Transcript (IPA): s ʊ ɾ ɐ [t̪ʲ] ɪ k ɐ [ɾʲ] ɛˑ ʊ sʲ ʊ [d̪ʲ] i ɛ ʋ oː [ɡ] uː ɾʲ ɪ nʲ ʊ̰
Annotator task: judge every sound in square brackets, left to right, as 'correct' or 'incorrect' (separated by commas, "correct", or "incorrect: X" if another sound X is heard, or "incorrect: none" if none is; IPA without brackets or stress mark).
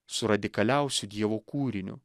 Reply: incorrect: d̪ʲ, incorrect: lʲ, correct, incorrect: k